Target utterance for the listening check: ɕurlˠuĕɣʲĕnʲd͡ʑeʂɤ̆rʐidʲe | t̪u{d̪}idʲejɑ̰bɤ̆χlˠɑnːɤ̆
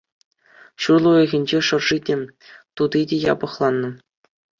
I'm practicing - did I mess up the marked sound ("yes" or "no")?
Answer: no